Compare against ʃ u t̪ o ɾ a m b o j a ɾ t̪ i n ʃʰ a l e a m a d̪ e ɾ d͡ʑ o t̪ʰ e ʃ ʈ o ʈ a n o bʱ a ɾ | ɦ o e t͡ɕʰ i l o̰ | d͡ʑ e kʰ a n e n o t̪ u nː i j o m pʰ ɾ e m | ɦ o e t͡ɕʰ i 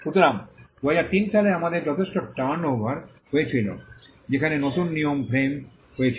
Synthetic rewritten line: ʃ u t̪ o ɾ a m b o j a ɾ t̪ i n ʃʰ a l e a m a d̪ e ɾ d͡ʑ ɔ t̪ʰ e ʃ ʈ o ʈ a n o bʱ a ɾ | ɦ o e t͡ɕʰ i l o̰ | d͡ʑ e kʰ a n e n o t̪ u nː i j o m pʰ ɾ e m | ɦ o e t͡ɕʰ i